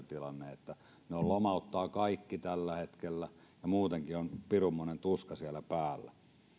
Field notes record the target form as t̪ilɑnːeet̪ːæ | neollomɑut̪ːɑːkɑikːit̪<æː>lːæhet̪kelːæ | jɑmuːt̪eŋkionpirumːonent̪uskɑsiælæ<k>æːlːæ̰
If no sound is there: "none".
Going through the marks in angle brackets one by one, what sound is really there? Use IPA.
æ, p

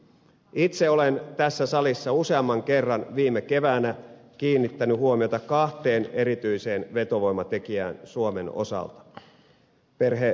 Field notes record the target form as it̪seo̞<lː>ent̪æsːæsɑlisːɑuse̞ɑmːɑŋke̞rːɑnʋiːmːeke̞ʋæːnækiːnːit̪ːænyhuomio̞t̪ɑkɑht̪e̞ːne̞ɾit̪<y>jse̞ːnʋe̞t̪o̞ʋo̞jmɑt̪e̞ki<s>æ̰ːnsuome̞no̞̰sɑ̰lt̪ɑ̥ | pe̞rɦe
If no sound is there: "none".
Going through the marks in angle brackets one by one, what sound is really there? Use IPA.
l, y, none

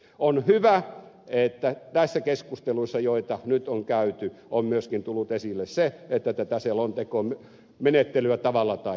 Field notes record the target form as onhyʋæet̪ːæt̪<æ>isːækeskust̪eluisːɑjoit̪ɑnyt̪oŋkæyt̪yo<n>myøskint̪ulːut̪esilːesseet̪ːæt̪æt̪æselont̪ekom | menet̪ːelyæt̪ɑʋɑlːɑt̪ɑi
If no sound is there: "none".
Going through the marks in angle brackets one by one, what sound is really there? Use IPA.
æ, m

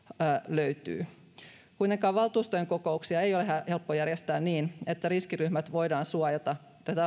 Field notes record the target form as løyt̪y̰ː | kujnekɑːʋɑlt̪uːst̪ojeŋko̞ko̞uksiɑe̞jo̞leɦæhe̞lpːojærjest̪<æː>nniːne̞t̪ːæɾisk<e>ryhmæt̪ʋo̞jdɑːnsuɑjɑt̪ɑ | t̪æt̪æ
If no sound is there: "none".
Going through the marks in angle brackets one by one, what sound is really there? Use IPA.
æː, i

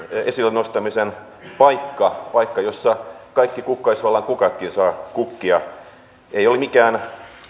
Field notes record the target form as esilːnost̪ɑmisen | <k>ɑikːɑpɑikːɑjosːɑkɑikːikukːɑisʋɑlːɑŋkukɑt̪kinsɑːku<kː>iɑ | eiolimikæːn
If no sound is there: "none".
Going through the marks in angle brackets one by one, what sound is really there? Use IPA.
p, kː

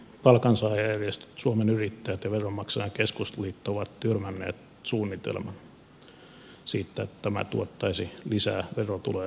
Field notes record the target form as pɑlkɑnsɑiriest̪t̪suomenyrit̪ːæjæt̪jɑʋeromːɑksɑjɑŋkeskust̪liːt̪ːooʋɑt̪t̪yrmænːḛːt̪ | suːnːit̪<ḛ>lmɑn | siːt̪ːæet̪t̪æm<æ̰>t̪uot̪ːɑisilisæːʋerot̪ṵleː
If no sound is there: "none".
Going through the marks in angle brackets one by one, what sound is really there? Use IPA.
ḛ, æ̰

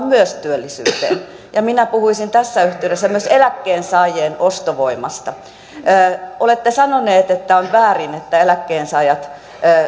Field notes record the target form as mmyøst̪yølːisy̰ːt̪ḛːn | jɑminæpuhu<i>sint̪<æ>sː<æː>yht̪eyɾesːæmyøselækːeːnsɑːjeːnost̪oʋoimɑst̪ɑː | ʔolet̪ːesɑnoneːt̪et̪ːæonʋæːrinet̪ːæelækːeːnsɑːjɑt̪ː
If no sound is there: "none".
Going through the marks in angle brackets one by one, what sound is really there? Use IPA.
i, æ, æ

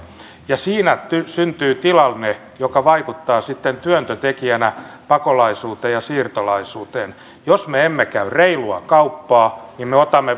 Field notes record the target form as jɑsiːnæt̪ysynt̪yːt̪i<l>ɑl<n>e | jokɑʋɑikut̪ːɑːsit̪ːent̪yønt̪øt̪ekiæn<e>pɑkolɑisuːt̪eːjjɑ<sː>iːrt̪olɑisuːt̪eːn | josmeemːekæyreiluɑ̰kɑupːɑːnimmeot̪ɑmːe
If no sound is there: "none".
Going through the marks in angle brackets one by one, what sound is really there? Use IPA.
l, n, æ, s

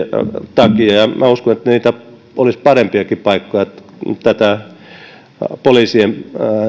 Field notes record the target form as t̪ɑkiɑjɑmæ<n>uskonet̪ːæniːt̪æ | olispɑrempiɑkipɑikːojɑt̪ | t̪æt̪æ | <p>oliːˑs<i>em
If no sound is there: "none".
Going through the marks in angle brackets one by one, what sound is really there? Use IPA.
none, p, i

